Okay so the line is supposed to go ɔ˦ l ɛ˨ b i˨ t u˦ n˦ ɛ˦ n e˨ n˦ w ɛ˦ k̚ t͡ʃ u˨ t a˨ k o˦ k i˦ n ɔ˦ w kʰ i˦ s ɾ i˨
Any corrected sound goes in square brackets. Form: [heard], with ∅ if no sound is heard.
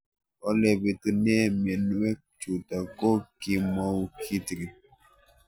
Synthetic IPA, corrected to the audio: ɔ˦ l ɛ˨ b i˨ t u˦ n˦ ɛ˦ [m] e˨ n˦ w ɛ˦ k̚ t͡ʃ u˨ t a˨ k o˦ k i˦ [m] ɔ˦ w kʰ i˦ [t] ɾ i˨